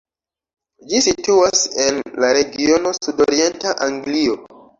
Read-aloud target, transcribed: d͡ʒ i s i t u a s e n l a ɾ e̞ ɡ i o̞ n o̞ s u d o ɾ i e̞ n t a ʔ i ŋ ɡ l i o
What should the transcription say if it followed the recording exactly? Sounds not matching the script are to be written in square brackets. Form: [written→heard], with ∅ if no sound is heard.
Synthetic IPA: d͡ʒ i s i t u a s e n l a ɾ e̞ ɡ i o̞ n o̞ s u d o ɾ i e̞ n t a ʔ [i→a] ŋ ɡ l i o